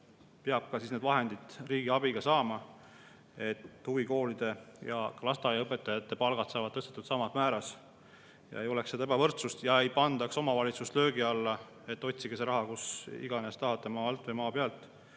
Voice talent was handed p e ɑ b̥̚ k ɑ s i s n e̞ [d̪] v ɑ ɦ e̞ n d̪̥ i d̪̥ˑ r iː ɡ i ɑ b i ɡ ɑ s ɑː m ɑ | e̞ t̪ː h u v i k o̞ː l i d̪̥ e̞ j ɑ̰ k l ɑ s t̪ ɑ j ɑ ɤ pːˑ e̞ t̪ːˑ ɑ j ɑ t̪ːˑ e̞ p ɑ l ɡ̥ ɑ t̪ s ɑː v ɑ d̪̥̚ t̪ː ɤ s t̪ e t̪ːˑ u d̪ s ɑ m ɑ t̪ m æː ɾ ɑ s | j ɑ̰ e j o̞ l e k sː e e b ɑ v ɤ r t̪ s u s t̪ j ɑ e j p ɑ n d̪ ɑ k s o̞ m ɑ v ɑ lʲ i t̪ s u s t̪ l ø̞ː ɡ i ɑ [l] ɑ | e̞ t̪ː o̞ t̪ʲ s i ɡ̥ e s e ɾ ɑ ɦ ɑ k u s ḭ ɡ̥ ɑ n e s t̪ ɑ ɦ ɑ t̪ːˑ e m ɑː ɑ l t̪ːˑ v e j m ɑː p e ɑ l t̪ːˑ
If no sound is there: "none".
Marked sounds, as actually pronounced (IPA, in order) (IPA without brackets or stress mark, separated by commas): d̪, lː